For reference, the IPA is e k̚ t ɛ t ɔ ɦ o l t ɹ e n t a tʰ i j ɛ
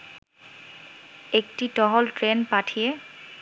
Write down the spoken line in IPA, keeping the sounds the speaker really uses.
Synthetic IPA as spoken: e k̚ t i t ɔ ɦ ɔ l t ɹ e n p a tʰ i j ɛ